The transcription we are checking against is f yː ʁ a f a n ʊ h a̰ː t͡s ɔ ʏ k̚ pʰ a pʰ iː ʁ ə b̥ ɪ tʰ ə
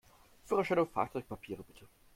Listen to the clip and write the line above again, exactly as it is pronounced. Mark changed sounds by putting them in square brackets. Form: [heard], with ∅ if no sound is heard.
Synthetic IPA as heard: f yː ʁ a [ʃ] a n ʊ [f] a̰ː t͡s ɔ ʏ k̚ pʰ a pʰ iː ʁ ə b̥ ɪ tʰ ə